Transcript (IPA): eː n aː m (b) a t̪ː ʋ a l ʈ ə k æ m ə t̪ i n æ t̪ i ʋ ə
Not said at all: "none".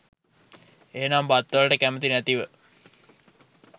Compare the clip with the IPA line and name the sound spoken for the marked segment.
b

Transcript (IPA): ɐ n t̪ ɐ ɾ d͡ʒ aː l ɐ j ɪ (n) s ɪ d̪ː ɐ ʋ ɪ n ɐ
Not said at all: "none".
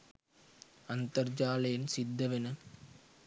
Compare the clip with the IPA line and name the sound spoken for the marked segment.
n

